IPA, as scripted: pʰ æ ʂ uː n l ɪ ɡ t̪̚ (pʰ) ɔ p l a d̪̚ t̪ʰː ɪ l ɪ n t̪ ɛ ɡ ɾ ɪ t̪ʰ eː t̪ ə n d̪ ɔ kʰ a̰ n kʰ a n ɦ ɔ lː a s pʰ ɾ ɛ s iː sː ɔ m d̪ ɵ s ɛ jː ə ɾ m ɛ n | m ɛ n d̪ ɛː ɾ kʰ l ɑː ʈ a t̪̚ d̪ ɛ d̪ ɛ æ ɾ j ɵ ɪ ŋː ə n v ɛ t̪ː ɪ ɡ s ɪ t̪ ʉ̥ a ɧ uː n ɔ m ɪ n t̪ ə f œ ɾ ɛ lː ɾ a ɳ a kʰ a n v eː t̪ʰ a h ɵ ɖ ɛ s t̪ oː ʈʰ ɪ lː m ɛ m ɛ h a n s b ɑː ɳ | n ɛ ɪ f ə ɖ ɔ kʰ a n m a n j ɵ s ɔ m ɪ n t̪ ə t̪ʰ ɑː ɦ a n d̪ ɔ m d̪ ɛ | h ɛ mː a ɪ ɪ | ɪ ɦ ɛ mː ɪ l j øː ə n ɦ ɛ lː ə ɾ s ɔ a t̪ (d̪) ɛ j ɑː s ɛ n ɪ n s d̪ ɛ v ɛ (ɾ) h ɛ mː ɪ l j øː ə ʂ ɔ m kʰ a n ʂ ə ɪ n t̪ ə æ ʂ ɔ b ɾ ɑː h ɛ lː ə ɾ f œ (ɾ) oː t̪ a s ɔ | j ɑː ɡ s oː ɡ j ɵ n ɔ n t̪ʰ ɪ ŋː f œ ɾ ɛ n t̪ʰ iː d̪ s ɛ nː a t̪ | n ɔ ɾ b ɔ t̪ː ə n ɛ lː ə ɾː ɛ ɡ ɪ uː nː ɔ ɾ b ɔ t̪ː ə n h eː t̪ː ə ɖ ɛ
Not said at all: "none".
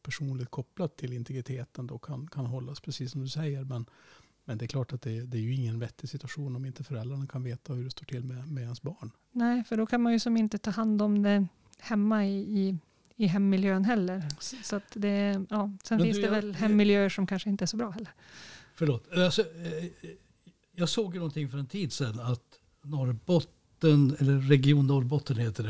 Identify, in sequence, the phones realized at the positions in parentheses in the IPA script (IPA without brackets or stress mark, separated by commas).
kʰ, d̪, l, ɭ